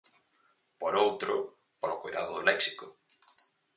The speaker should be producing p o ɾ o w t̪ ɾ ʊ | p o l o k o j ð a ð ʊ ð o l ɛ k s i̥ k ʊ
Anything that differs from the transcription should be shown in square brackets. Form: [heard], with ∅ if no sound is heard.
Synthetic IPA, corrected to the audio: p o ɾ o w t̪ ɾ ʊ | p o l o k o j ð a ð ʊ ð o l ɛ k s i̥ k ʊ